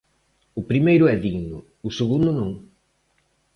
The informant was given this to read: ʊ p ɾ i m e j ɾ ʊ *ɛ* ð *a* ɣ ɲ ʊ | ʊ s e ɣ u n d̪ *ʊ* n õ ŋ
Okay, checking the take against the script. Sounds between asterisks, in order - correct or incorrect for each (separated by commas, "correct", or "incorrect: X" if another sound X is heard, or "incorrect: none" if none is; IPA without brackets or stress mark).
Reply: correct, incorrect: i, correct